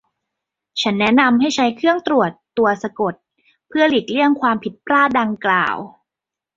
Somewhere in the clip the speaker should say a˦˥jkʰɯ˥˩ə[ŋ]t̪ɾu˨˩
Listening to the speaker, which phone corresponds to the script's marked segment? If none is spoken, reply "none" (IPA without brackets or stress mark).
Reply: ŋ